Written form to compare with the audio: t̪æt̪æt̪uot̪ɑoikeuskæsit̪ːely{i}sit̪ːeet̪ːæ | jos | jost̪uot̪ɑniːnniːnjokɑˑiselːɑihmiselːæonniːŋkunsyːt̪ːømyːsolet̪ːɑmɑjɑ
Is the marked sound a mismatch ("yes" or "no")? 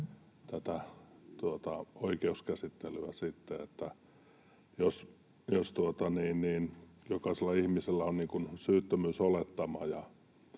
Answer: yes